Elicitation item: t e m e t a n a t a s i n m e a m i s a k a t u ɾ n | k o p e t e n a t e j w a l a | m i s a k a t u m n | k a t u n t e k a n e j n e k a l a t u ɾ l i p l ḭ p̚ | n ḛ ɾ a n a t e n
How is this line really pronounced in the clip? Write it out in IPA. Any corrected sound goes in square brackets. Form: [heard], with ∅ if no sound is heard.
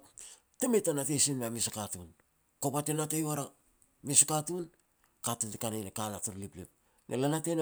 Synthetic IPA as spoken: t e m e t a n a t [e] s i n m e a m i s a k a t u [∅] n | k o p [a] t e n a t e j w a [ɾ] a | m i s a k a t u [∅] n | k a t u n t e k a n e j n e k a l a t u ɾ l i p l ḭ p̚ | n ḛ [l] a n a t e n